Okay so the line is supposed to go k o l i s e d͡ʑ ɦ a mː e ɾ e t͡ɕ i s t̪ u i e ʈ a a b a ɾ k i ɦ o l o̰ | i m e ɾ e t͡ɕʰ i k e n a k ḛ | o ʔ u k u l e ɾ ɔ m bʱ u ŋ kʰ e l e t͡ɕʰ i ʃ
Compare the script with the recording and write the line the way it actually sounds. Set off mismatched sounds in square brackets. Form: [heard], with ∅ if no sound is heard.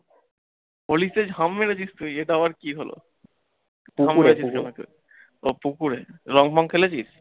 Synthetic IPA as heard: [p] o l i s e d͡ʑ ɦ a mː e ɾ e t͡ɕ i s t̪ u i e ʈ a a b a ɾ k i ɦ o l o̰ | [a] m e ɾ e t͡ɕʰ i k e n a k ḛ | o [p] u k u [ɾ] e ɾ ɔ [ŋ] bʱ [ɔ] ŋ kʰ e l e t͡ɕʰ i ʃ